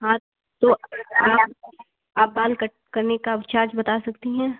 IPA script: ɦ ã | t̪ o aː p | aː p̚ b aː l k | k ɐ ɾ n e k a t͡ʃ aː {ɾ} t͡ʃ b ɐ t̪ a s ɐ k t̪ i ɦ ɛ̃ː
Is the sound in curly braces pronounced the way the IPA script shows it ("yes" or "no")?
yes